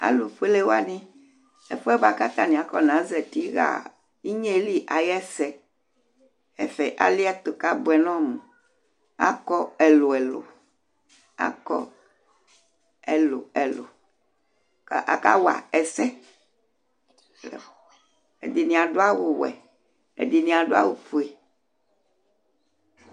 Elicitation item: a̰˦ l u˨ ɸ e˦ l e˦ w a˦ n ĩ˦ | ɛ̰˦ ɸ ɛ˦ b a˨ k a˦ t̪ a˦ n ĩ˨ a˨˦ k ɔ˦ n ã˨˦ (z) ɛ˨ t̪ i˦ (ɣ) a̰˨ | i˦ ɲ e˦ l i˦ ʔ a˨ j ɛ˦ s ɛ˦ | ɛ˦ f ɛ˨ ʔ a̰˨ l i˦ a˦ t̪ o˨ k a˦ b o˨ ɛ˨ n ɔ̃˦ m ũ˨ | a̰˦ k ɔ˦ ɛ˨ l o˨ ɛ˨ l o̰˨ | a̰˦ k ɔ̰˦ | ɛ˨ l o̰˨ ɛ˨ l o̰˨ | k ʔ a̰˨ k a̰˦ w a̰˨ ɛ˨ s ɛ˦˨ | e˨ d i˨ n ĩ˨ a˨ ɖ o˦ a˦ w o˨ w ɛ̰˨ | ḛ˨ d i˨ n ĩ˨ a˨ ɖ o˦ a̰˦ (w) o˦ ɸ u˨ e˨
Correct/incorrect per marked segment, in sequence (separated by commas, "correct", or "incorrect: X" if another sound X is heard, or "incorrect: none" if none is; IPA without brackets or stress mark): correct, correct, correct